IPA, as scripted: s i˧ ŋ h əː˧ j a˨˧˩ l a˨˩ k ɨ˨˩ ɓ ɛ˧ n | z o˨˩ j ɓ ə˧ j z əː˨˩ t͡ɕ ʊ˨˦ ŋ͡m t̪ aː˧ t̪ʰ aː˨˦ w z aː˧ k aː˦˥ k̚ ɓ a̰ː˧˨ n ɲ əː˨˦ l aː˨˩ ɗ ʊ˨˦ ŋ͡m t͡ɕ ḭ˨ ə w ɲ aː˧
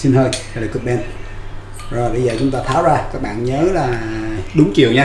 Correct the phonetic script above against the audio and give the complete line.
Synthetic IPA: s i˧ n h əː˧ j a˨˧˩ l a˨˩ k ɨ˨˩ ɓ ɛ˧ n | z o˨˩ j ɓ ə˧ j z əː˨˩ t͡ɕ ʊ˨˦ ŋ͡m t̪ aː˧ t̪ʰ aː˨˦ w z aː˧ k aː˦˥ k̚ ɓ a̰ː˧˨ n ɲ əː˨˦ l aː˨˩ ɗ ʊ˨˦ ŋ͡m t͡ɕ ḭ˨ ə w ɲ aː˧